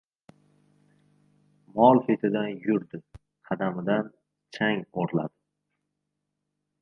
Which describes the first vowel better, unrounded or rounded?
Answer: rounded